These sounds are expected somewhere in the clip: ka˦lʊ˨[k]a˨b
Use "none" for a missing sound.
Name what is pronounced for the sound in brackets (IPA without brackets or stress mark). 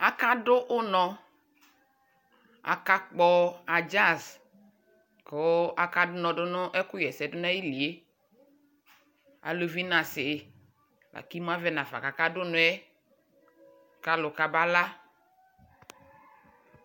k